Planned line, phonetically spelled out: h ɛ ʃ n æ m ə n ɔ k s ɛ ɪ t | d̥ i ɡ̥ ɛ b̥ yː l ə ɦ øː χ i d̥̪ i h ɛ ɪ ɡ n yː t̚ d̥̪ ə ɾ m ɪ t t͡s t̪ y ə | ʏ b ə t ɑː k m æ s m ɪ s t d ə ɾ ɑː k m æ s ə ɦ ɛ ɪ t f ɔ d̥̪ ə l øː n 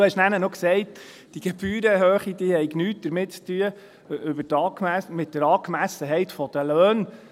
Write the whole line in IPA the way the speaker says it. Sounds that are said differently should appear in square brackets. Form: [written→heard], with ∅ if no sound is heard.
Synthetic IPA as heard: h ɛ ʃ n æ [m→n] ə n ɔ k s ɛ ɪ t | d̥ i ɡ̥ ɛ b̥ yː [l→ɾ] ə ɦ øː χ i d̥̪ i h ɛ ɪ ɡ n yː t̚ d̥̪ ə ɾ m ɪ t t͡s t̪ y ə | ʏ b ə t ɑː k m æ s m ɪ [s→∅] t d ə ɾ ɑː k m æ s ə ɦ ɛ ɪ t f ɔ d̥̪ ə l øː n